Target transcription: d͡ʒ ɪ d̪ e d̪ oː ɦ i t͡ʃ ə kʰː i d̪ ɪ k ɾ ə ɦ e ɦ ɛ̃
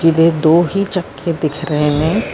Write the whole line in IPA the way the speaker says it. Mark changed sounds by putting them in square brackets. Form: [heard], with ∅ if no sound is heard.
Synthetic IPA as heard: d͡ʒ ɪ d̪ e d̪ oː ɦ i t͡ʃ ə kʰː [e] d̪ ɪ [kʰ] ɾ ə ɦ e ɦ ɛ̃